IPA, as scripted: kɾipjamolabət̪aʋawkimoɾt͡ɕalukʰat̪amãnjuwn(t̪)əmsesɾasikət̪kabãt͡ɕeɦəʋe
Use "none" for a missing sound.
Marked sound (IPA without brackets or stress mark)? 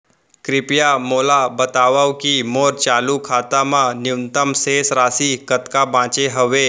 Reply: t̪